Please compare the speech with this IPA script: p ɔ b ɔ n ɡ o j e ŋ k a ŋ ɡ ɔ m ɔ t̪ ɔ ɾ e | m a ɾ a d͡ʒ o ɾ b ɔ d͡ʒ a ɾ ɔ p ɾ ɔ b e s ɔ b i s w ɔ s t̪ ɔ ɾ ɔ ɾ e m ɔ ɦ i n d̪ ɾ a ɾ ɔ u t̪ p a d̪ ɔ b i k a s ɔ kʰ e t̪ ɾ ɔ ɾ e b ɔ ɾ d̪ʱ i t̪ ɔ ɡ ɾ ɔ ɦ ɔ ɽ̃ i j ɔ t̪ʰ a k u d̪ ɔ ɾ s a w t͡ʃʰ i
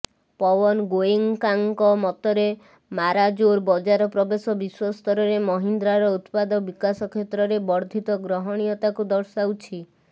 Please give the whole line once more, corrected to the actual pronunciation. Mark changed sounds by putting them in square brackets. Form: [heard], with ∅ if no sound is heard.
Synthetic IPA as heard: p ɔ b ɔ n ɡ o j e ŋ k a ŋ [k] ɔ m ɔ t̪ ɔ ɾ e | m a ɾ a d͡ʒ o ɾ b ɔ d͡ʒ a ɾ ɔ p ɾ ɔ b e s ɔ b i s w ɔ s t̪ ɔ ɾ ɔ ɾ e m ɔ ɦ i n d̪ ɾ a ɾ ɔ u t̪ p a d̪ ɔ b i k a s ɔ kʰ e t̪ ɾ ɔ ɾ e b ɔ ɾ d̪ʱ i t̪ ɔ ɡ ɾ ɔ ɦ ɔ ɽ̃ i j ɔ [t̪] a k u d̪ ɔ ɾ s a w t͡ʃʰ i

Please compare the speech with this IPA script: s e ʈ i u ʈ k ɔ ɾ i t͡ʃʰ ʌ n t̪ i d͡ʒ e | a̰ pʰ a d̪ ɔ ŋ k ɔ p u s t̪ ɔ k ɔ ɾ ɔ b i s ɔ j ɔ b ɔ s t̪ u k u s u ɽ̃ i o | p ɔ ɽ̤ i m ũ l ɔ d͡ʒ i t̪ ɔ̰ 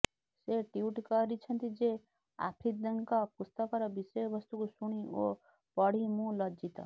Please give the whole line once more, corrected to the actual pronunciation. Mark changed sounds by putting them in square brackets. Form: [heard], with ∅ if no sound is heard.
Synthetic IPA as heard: s e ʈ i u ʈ k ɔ ɾ i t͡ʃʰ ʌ n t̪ i d͡ʒ e | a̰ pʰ [i] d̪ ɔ ŋ k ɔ p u s t̪ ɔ k ɔ ɾ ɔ b i s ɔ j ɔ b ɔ s t̪ u k u s u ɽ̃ i o | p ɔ ɽ̤ i m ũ l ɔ d͡ʒ i t̪ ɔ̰

